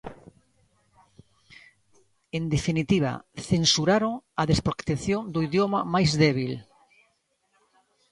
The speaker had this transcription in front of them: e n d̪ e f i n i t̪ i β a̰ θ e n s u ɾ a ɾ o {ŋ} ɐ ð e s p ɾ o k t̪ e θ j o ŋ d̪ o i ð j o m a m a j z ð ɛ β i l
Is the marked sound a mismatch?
no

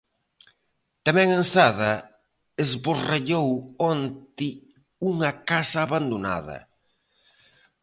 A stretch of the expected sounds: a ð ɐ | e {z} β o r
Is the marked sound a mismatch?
no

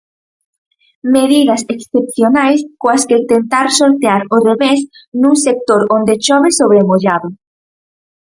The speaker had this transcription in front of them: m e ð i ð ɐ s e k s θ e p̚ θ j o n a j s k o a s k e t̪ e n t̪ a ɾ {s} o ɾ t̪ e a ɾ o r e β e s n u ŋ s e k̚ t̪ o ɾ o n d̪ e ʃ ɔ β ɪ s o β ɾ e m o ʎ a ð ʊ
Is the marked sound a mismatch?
no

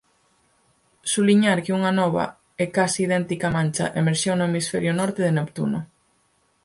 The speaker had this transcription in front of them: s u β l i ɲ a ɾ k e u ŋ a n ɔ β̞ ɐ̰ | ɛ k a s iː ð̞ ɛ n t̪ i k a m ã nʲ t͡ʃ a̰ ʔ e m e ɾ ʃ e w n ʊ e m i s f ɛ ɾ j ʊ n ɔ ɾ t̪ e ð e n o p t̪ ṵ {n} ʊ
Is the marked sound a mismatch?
no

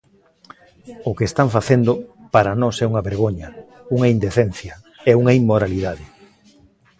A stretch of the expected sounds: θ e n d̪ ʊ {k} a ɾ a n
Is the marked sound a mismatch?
yes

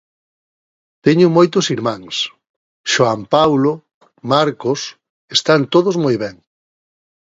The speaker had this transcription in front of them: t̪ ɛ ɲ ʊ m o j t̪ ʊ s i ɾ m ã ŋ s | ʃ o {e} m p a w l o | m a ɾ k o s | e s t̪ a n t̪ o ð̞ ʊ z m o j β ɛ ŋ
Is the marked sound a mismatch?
yes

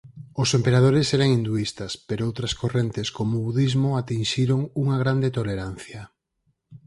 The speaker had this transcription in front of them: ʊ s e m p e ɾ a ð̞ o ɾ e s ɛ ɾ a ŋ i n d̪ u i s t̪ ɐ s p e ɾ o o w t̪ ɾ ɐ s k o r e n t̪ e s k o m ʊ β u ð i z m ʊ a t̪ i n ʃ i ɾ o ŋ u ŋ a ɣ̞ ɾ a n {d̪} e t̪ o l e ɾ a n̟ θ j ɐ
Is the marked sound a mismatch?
no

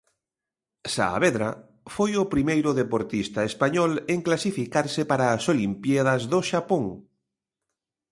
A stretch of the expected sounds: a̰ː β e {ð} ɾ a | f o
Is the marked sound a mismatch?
no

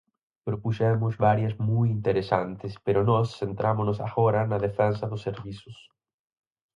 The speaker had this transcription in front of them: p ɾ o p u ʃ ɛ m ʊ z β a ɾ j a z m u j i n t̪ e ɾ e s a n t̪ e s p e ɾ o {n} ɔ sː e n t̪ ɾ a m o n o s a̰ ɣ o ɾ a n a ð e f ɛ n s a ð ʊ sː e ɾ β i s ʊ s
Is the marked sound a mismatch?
no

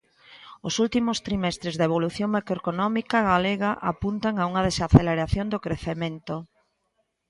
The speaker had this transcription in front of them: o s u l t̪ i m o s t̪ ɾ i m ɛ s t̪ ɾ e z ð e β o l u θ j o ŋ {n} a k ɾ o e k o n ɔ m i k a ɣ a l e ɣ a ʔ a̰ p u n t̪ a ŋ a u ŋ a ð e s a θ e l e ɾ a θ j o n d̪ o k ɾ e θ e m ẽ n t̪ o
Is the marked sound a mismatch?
yes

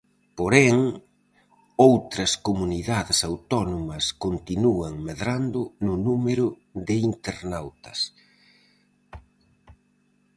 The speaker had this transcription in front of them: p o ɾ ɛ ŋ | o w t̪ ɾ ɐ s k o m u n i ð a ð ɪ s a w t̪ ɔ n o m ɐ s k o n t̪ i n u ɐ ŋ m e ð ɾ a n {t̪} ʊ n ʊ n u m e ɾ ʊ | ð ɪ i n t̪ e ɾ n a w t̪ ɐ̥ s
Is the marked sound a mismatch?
yes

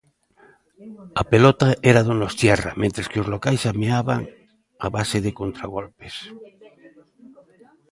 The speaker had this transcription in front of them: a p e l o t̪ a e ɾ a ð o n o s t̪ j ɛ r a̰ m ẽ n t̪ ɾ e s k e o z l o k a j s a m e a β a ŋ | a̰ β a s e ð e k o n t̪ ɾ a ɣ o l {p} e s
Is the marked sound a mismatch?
no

